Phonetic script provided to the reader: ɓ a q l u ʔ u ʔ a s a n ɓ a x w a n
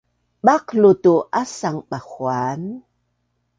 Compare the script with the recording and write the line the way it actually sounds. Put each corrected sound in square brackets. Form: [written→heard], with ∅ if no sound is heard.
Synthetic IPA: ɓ a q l u [ʔ→t] u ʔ a s a [n→ŋ] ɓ a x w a n

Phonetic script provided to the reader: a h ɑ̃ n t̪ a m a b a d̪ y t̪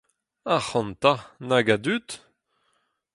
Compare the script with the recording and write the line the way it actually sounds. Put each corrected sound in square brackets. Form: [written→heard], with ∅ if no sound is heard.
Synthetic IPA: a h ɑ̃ n t̪ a [m→n] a [b→ɡ] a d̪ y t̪

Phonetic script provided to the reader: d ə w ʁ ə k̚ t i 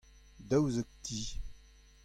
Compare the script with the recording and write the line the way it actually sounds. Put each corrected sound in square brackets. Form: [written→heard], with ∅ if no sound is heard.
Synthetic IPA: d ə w [ʁ→z] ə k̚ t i

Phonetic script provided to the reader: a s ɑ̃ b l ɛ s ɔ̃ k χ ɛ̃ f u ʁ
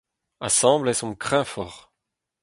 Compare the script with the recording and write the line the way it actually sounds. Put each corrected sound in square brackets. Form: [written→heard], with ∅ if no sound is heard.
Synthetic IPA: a s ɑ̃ b l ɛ s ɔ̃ k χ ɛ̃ f [u→ɔ] ʁ

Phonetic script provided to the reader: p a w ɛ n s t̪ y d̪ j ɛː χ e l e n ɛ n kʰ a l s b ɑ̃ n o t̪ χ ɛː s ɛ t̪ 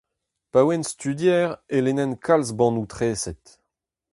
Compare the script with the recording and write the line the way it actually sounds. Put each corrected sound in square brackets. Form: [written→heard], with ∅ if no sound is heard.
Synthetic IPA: p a w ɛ n s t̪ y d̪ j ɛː [χ→ʁ] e l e n ɛ n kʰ a l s b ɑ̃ n [o→u] t̪ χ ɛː s ɛ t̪

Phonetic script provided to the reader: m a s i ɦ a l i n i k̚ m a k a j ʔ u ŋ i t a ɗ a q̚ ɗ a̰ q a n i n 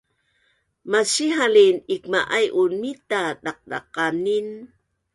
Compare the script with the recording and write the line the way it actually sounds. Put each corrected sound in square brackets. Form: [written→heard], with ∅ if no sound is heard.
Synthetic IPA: m a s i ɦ a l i n i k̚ m a [k→ʔ] a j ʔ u [ŋ→n] i t a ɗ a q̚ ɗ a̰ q a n i n

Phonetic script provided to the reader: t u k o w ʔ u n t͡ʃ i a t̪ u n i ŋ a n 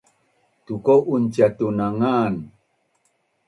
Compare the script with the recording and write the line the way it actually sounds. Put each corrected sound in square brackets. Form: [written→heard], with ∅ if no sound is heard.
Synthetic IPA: t u k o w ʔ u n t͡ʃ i a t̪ u n [i→a] ŋ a n

